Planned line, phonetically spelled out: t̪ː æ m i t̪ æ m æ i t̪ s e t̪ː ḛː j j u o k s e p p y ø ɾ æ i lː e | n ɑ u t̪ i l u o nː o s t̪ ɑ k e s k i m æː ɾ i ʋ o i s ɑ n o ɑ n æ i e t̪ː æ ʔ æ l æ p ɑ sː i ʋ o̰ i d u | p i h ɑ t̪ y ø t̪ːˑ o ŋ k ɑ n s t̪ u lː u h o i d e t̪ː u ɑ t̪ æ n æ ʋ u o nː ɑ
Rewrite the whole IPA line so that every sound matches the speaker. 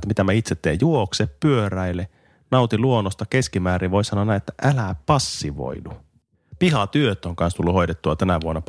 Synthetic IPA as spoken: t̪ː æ m i t̪ æ m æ i t̪ s e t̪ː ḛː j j u o k s e p p y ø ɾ æ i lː e | n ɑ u t̪ i l u o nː o s t̪ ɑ k e s k i m æː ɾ i ʋ o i s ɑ n o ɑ n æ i e t̪ː æ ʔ æ l æ p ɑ sː i ʋ o̰ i d u | p i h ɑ t̪ y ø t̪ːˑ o ŋ k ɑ n s t̪ u lː u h o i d e t̪ː u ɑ t̪ æ n æ ʋ u o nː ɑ